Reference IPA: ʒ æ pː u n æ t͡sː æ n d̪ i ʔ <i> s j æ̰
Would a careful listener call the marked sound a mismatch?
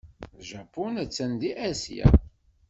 yes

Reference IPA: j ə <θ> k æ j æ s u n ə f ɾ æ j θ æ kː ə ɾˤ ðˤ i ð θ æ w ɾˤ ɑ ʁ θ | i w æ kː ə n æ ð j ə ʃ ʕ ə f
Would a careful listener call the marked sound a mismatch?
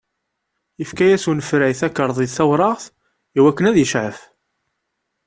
yes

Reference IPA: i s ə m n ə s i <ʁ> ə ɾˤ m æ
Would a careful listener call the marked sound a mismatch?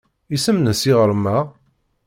no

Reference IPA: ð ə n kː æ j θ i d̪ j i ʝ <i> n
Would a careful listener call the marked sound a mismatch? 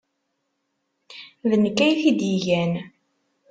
yes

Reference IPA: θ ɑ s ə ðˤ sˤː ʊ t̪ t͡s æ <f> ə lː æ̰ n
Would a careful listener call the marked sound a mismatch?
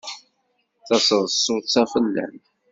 no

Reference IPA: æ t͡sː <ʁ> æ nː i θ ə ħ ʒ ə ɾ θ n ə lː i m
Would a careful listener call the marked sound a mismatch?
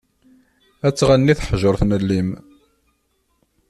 no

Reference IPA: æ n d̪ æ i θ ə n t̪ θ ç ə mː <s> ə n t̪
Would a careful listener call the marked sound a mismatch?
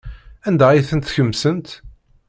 no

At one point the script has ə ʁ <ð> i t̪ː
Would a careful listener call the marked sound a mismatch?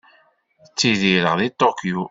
no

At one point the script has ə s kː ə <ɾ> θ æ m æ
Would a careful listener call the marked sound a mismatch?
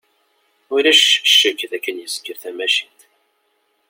no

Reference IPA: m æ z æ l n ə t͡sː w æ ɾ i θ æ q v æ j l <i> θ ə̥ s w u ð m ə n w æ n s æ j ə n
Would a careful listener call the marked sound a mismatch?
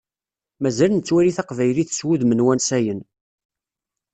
no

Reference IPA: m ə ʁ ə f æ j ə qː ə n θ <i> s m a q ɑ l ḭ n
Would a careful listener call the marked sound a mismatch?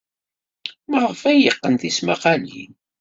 no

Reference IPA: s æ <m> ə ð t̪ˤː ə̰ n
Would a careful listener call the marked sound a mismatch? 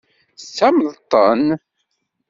no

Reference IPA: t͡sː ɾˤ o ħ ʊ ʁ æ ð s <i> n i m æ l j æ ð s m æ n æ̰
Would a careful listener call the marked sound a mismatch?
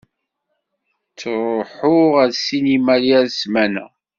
no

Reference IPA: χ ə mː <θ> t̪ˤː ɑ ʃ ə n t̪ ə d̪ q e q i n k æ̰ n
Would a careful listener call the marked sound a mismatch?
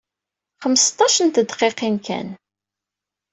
yes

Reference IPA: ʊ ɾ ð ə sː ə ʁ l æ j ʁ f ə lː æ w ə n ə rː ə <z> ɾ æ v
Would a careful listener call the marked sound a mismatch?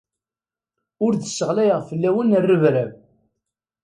yes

